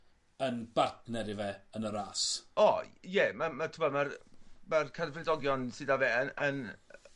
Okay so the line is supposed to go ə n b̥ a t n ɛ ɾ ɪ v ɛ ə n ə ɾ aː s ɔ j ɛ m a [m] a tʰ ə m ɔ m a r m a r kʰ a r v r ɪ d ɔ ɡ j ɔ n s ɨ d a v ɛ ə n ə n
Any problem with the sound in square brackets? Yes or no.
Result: no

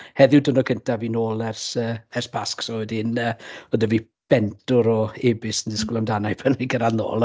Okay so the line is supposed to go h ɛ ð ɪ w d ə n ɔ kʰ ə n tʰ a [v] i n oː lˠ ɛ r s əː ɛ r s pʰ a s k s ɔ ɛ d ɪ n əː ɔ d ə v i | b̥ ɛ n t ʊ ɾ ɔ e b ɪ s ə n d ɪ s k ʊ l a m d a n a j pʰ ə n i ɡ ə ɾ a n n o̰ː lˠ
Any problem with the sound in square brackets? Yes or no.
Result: no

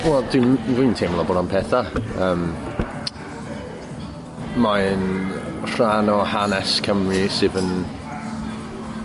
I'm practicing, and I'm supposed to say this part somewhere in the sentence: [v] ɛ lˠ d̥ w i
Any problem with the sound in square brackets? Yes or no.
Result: yes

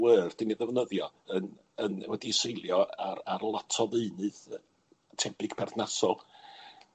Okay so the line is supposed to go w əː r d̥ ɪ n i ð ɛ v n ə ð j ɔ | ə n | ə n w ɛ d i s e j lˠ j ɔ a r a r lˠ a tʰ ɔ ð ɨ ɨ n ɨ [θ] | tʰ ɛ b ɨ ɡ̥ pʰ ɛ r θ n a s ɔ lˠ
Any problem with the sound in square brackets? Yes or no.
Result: yes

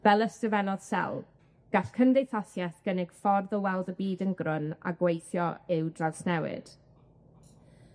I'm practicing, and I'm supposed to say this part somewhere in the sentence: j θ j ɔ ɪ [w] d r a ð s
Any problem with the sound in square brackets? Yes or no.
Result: no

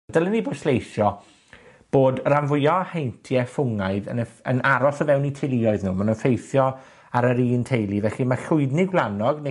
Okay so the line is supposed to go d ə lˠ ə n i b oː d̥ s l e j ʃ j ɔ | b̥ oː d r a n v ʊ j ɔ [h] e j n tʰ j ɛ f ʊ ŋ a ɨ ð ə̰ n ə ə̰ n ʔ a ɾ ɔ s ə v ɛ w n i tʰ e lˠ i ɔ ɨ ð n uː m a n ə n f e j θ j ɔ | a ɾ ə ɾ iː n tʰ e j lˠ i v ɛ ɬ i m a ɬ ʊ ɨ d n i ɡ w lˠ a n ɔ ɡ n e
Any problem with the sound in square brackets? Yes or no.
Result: no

